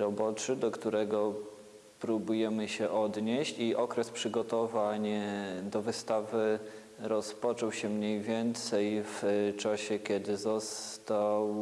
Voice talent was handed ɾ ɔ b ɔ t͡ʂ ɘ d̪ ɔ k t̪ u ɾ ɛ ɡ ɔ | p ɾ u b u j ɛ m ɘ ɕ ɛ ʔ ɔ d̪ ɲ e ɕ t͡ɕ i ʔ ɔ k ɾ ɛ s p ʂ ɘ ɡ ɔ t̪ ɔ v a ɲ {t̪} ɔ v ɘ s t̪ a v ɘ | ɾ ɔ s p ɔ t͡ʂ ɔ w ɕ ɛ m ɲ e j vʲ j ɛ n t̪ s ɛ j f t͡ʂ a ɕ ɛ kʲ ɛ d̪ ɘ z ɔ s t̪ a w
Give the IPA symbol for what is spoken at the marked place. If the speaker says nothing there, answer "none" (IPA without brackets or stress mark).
d̪